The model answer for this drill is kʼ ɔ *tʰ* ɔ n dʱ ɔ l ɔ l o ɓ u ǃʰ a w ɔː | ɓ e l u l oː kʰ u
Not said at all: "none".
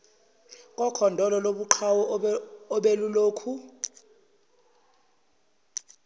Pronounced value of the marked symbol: kʰ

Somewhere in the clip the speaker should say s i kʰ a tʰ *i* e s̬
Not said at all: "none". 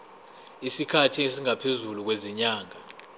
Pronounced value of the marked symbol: i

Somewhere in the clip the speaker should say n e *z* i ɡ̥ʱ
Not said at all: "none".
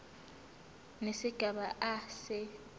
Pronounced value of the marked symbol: s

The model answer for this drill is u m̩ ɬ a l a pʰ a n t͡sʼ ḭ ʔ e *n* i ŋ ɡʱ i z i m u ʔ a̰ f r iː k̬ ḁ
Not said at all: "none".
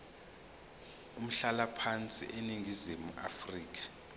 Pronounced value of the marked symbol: n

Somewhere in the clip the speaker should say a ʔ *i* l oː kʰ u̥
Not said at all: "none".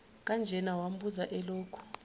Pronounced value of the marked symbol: ɛ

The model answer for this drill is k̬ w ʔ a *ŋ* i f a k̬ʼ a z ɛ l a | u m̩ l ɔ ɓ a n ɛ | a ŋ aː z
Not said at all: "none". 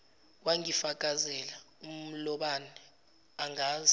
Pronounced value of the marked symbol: ŋ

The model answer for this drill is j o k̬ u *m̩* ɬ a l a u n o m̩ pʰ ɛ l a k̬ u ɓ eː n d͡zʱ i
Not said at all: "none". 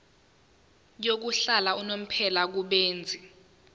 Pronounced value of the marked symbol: none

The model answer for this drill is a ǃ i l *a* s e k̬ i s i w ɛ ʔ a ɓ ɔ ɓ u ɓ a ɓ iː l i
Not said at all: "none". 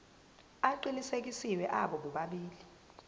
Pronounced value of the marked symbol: i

